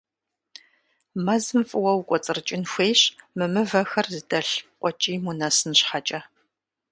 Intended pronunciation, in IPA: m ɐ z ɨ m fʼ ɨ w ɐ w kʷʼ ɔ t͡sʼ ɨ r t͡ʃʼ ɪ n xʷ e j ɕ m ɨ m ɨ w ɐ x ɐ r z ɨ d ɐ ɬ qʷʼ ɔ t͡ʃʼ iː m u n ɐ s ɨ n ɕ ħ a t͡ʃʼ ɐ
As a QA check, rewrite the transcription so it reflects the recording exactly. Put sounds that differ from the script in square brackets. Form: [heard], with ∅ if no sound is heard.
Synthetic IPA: m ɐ z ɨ m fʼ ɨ w ɐ w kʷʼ ɔ t͡sʼ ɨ r t͡ʃʼ ɪ n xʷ e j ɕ m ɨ m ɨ [v] ɐ x ɐ r z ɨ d ɐ ɬ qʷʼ ɔ t͡ʃʼ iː m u n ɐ s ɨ n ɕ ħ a t͡ʃʼ ɐ